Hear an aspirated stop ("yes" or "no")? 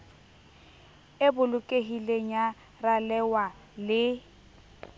no